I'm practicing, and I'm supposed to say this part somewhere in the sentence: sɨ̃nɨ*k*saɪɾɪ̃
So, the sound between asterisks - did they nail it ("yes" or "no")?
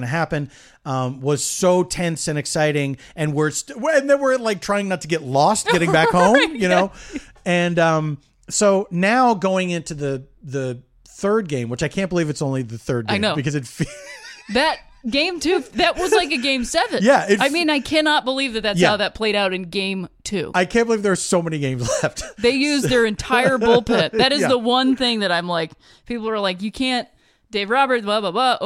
yes